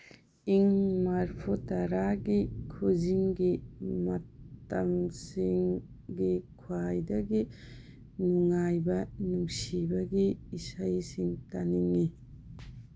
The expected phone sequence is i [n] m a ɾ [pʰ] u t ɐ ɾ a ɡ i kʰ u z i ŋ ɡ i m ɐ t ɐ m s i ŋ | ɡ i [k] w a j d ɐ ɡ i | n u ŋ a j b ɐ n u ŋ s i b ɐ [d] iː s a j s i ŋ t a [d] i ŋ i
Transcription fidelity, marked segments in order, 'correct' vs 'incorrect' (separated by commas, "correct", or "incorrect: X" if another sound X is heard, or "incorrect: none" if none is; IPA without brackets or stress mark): incorrect: ŋ, correct, incorrect: kʰ, incorrect: ɡ, incorrect: n